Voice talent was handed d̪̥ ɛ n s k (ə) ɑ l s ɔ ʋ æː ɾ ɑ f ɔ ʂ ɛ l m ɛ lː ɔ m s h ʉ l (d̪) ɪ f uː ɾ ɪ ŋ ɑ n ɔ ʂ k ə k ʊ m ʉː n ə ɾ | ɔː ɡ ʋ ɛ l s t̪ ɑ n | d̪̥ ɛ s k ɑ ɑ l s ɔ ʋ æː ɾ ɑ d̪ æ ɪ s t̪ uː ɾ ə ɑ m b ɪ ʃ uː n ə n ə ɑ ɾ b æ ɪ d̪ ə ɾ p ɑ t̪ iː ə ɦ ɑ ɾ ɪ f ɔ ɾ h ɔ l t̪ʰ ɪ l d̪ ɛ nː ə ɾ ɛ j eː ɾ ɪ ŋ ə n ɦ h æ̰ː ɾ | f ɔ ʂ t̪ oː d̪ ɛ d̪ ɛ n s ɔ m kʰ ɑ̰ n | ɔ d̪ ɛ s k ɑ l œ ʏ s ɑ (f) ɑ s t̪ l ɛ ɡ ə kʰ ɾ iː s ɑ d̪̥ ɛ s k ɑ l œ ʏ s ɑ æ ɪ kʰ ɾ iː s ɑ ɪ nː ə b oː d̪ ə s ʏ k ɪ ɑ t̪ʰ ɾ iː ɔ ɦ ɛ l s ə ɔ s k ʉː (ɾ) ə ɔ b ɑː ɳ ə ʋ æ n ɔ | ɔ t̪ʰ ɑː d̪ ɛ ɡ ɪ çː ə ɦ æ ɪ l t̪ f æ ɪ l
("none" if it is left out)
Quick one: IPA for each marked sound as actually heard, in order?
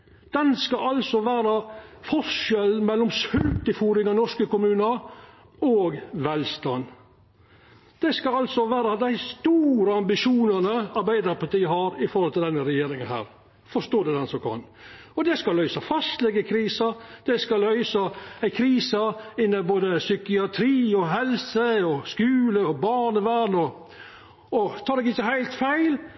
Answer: ɑ, t̪, f, l

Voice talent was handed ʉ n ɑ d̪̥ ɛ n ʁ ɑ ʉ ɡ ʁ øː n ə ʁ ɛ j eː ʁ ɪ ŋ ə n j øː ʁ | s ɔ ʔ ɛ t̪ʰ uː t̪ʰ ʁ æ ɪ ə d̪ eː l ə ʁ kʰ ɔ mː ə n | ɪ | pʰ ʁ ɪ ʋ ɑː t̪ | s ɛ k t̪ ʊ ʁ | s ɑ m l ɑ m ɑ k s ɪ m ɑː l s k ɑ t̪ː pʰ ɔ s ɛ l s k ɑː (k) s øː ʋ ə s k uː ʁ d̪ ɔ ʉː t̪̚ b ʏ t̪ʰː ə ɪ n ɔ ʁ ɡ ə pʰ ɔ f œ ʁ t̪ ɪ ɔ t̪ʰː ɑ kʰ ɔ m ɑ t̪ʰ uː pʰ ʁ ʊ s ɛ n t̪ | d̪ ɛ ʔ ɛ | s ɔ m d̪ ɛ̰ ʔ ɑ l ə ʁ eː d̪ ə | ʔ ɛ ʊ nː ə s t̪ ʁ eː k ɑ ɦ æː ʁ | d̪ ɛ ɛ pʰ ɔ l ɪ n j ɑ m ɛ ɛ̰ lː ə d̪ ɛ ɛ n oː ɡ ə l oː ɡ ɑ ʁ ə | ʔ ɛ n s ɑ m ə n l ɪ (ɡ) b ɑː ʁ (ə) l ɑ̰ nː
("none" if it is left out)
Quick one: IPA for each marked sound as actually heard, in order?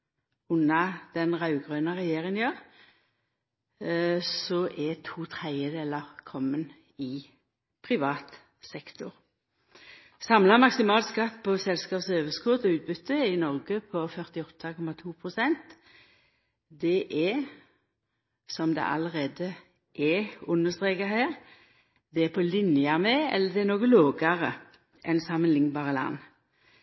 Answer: p, ŋ, ə

